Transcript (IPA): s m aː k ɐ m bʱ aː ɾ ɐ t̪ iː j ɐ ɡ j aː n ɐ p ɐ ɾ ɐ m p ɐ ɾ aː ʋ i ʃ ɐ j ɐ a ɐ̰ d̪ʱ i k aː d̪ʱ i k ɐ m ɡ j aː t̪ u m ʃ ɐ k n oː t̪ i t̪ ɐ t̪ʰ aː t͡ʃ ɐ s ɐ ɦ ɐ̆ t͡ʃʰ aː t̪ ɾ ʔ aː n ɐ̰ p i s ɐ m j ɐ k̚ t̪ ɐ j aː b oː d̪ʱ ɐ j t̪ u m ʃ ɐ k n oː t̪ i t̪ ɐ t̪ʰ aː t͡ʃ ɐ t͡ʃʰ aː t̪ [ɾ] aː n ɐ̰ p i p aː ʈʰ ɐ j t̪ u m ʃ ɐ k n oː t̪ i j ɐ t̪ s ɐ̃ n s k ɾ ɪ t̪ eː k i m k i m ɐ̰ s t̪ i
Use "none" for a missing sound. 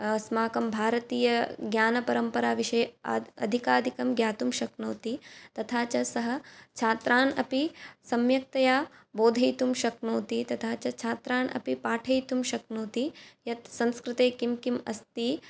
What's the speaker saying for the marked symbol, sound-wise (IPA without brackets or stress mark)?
ɾ